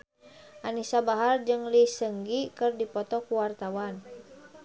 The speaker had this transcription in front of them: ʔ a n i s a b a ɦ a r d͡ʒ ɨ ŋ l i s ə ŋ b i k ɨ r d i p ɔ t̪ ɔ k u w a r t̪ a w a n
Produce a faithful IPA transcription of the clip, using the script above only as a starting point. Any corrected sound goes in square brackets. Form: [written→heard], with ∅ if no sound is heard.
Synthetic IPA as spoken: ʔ a n i s a b a ɦ a r d͡ʒ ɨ ŋ l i s ə ŋ [b→ɡ] i k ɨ r d i p ɔ t̪ ɔ k u w a r t̪ a w a n